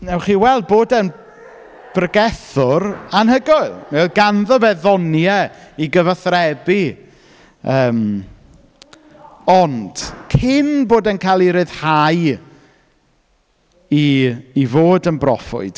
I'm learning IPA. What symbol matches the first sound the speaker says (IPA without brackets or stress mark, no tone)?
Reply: n